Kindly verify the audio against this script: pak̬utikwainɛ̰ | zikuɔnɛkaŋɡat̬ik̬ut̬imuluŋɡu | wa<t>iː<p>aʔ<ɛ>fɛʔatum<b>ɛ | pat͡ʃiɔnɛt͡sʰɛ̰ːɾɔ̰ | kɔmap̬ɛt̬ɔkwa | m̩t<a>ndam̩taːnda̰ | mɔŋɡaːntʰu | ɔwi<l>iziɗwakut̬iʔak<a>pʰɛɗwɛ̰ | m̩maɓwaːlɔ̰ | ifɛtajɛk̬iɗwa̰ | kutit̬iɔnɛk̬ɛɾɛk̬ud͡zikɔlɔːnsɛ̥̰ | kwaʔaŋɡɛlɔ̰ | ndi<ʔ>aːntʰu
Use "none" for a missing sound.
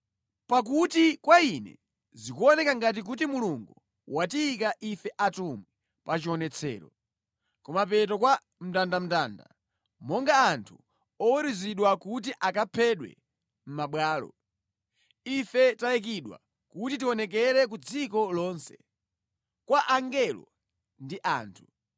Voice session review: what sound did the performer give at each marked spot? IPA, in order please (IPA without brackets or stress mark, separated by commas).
t, k, i, w, a, ɾ, a, ʔ